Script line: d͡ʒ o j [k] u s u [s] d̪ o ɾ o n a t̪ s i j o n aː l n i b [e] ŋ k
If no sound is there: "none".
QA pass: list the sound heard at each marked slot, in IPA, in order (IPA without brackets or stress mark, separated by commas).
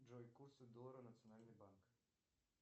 k, none, a